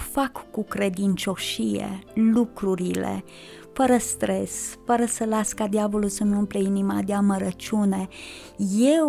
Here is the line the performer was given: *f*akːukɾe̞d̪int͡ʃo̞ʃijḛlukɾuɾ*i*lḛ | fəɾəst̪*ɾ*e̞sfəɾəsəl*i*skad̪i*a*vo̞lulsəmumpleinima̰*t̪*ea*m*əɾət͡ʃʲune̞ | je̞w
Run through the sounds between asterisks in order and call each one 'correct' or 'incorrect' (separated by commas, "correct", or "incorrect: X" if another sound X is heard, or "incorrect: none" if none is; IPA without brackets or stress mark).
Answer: correct, correct, correct, incorrect: a, correct, incorrect: d̪, correct